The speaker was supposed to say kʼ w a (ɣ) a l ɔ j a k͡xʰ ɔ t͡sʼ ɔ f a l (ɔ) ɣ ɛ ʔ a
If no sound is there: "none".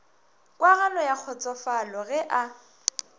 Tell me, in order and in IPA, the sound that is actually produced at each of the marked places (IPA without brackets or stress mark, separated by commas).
ɣ, ɔ